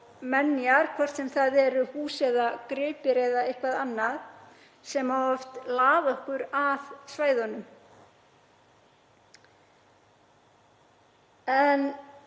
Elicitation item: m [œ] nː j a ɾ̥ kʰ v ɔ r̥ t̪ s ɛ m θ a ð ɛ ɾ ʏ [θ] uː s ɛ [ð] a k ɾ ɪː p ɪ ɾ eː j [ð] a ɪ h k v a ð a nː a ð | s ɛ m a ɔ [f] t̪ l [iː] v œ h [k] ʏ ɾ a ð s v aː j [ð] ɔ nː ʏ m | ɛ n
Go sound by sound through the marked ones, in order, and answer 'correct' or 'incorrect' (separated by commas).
incorrect, incorrect, correct, correct, correct, incorrect, correct, correct